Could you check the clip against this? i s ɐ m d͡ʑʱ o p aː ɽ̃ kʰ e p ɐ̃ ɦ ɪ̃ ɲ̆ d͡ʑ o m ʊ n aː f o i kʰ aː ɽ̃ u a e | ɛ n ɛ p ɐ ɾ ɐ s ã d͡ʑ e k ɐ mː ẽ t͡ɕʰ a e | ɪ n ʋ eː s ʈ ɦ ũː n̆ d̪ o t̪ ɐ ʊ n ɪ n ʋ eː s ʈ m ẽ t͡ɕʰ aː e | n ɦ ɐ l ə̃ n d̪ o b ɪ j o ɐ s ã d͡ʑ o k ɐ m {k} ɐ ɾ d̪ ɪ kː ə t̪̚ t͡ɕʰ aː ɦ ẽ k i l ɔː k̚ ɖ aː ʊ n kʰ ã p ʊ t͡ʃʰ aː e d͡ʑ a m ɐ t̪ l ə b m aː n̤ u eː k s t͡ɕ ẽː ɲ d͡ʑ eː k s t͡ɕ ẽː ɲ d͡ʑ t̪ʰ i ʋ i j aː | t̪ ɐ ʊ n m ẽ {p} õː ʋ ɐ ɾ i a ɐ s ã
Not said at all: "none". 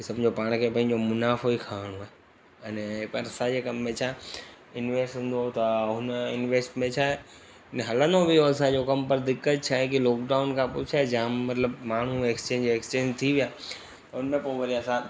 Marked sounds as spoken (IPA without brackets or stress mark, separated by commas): p, p